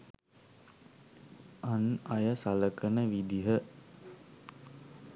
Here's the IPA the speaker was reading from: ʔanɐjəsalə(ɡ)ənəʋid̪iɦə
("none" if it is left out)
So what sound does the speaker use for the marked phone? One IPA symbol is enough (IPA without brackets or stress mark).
k